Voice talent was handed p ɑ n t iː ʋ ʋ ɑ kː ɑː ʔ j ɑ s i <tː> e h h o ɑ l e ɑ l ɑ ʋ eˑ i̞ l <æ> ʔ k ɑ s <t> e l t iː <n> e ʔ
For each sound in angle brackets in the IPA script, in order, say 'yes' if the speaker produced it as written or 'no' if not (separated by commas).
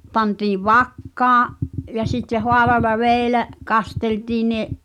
yes, yes, yes, yes